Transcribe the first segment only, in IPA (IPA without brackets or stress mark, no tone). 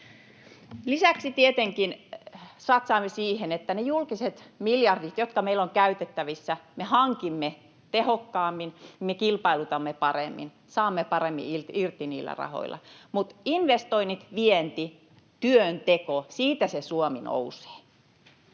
l